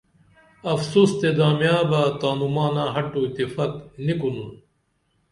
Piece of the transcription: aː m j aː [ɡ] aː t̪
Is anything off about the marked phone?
yes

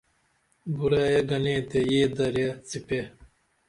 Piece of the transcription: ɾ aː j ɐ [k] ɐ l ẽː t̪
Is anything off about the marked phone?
yes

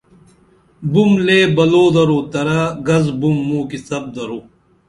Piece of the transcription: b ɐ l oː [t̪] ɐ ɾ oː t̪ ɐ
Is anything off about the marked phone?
yes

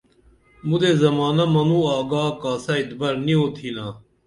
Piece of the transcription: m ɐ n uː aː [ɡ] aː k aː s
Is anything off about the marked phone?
no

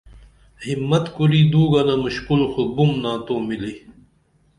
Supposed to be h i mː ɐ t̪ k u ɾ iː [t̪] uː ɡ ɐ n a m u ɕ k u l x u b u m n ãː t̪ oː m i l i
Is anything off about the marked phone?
yes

